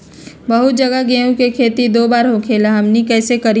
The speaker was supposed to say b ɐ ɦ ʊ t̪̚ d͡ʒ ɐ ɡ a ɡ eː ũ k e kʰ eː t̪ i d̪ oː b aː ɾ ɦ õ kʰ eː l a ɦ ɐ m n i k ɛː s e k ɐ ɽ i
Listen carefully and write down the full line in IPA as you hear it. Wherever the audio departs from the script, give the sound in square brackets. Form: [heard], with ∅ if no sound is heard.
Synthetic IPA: b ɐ ɦ ʊ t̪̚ d͡ʒ ɐ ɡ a ɡ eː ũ k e kʰ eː t̪ i d̪ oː b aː ɾ ɦ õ kʰ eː l a ɦ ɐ m n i k ɛː s e k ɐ [ɾ] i